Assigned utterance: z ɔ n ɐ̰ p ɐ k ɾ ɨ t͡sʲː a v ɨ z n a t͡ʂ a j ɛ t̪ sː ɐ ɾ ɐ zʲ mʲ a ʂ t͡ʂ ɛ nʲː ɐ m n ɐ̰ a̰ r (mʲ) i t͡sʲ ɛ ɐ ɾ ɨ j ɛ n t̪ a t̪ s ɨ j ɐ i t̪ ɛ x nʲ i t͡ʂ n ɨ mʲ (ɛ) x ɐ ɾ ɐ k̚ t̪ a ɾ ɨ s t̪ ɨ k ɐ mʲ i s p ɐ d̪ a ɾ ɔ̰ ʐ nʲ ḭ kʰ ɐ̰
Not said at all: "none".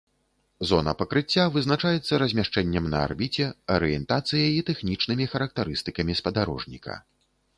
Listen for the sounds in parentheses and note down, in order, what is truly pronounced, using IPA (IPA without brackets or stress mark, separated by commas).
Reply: bʲ, i